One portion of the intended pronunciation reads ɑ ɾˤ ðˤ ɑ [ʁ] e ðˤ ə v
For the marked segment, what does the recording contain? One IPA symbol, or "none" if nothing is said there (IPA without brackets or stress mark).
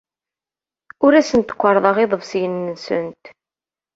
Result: ʁ